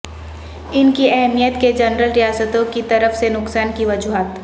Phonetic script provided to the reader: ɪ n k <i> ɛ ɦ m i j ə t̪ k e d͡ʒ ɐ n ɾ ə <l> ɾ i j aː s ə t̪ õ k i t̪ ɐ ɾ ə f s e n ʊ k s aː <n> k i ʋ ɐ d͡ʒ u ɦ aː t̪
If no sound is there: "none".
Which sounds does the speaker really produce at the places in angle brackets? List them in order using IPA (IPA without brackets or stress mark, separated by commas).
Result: i, l, n